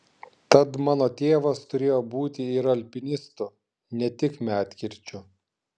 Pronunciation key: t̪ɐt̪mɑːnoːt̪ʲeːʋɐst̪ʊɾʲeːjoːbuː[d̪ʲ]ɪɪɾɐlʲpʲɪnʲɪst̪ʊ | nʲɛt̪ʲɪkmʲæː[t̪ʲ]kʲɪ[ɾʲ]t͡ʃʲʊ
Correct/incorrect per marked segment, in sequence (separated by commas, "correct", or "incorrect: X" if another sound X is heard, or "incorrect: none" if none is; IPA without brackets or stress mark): incorrect: t̪ʲ, correct, correct